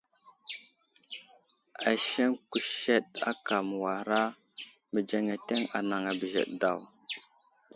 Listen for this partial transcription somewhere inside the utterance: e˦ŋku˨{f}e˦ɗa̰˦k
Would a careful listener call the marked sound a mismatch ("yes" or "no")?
yes